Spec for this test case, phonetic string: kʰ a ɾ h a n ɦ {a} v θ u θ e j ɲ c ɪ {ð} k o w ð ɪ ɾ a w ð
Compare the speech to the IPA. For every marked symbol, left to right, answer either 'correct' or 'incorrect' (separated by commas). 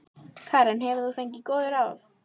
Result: incorrect, incorrect